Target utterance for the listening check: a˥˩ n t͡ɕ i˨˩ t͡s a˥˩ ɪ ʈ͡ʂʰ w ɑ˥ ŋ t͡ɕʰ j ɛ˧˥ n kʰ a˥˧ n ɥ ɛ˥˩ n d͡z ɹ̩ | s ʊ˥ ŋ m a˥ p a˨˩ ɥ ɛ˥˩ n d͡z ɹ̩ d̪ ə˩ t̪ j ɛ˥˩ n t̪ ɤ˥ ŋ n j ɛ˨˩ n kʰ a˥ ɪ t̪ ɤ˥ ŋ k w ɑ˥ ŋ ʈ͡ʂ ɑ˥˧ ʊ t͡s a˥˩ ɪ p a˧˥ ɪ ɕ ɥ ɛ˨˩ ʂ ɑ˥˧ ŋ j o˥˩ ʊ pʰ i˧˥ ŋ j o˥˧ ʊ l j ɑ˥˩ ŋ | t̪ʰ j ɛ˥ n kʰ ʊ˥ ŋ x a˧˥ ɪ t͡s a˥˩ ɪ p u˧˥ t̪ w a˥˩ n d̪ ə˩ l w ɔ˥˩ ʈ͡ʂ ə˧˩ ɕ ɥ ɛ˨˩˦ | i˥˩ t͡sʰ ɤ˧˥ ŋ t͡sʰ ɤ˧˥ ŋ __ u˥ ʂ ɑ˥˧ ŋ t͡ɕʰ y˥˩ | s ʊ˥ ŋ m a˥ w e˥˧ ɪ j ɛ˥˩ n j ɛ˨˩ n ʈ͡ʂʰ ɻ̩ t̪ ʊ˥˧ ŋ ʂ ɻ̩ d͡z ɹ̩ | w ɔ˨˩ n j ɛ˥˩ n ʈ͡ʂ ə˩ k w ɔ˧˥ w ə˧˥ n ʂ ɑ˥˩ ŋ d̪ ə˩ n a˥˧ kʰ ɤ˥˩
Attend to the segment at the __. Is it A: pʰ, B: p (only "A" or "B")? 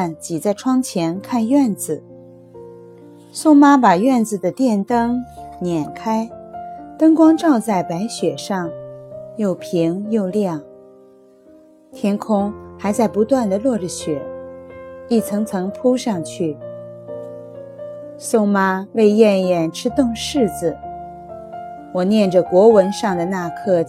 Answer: A